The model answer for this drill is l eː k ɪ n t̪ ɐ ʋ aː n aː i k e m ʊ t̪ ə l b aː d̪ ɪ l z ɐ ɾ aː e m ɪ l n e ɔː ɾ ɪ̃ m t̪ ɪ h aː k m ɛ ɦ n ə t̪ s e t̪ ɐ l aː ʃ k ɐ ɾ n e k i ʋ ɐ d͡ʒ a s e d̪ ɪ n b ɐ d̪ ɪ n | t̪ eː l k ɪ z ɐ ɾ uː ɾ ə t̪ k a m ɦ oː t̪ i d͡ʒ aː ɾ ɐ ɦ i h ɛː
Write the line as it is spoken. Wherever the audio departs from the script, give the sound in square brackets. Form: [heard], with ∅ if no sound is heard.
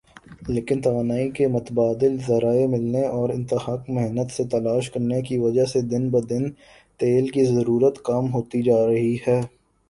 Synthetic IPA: l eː k ɪ n t̪ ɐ ʋ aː n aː i k e m ʊ t̪ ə [∅] b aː d̪ ɪ l z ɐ ɾ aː e m ɪ l n e ɔː ɾ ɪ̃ [n] t̪ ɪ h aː k m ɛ ɦ n ə t̪ s e t̪ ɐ l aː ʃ k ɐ ɾ n e k i ʋ ɐ d͡ʒ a s e d̪ ɪ n b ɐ d̪ ɪ n | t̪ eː l k [i] z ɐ ɾ uː ɾ ə t̪ k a m ɦ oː t̪ i d͡ʒ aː ɾ ɐ ɦ i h ɛː